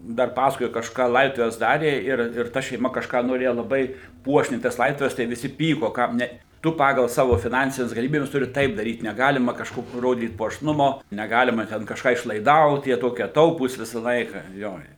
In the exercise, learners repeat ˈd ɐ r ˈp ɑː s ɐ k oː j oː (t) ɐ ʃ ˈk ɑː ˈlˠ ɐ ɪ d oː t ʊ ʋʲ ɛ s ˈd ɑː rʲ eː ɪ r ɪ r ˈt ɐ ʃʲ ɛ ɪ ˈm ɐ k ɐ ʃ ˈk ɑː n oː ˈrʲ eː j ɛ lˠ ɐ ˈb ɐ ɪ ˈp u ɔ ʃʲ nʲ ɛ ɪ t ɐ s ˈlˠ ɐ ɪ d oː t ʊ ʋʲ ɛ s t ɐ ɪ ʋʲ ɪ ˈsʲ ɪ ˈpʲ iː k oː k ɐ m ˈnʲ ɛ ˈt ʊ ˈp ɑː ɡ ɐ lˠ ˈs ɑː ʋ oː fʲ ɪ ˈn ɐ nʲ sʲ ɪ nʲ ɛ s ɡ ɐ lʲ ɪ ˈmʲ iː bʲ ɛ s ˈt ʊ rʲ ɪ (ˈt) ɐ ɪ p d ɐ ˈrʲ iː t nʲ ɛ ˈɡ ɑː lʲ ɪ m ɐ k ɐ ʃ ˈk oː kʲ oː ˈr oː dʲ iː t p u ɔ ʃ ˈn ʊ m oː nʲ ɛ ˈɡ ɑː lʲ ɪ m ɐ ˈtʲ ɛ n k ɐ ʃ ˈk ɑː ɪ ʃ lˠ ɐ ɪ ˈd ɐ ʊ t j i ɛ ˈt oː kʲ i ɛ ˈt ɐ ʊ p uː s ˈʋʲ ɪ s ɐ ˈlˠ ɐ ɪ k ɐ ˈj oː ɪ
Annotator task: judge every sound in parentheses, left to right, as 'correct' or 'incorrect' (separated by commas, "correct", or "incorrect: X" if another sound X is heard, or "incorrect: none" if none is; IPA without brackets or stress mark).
incorrect: k, correct